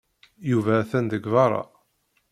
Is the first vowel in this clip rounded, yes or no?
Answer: yes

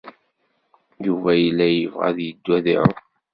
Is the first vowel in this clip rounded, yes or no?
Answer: yes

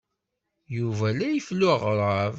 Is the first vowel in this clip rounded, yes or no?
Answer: yes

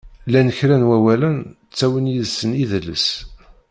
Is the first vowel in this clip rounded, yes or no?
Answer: no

